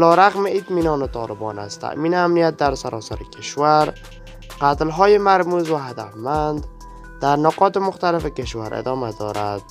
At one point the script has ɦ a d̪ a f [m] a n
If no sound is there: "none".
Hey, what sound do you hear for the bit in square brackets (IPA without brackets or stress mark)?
m